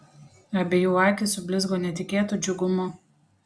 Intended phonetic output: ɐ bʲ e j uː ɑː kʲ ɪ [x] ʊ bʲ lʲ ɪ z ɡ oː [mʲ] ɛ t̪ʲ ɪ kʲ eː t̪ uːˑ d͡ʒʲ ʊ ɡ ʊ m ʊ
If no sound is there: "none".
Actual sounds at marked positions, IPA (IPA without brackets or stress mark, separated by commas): s, nʲ